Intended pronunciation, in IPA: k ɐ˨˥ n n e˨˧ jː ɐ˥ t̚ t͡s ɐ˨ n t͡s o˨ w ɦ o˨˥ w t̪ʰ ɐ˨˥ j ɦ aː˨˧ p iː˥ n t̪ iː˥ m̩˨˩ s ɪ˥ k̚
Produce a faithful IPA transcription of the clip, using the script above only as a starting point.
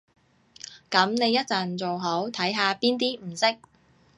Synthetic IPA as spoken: k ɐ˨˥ m n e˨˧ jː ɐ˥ t̚ t͡s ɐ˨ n t͡s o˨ w ɦ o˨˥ w t̪ʰ ɐ˨˥ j ɦ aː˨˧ p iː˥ n t̪ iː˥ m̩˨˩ s ɪ˥ k̚